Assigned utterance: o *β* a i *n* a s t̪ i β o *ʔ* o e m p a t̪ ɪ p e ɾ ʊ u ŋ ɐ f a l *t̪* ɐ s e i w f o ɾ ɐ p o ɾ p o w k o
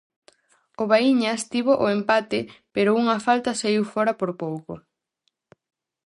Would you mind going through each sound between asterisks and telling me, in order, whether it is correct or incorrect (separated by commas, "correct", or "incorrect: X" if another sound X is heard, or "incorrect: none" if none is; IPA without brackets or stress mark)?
correct, incorrect: ɲ, correct, correct